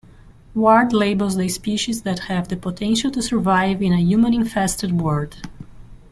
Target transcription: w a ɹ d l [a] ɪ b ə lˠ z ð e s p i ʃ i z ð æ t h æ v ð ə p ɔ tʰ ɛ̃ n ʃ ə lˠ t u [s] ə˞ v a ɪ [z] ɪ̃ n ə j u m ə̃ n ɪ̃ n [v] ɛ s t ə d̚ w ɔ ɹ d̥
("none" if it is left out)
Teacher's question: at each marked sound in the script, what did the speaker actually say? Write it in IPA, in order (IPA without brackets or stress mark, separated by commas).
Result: e, s, v, f